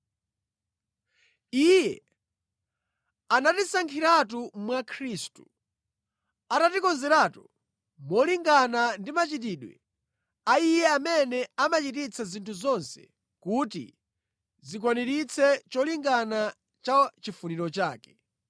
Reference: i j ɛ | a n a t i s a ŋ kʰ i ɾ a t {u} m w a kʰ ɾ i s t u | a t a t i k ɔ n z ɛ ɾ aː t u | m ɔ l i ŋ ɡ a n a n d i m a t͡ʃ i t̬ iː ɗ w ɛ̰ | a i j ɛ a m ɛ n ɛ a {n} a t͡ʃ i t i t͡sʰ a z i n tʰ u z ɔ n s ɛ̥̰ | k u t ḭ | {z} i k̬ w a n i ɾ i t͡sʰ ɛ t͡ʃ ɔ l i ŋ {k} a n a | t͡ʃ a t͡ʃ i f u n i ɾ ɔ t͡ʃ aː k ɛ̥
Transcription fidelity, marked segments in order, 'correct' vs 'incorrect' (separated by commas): correct, incorrect, correct, incorrect